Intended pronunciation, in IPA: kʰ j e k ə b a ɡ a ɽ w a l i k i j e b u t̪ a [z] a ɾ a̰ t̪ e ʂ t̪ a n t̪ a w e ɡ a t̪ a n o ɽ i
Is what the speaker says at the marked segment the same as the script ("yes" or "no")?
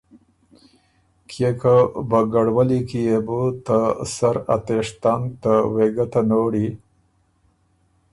no